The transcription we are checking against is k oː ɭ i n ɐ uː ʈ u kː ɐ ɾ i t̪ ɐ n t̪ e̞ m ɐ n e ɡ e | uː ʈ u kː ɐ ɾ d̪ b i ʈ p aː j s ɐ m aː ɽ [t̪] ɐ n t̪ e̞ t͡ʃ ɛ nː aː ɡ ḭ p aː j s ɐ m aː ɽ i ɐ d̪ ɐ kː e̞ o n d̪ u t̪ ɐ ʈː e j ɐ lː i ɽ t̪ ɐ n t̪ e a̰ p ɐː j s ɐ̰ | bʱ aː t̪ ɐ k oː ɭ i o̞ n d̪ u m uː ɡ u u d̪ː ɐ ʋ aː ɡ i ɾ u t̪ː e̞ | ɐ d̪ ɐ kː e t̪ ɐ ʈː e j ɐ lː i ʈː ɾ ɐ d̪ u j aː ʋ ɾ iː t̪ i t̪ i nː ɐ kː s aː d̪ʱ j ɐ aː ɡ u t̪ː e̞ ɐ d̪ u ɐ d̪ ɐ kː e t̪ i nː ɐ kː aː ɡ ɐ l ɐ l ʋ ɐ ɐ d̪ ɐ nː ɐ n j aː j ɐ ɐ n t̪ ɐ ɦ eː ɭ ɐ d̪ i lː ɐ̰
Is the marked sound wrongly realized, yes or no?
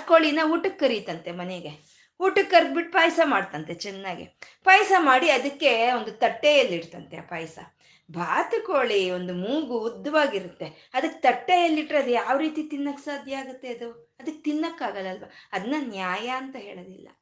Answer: no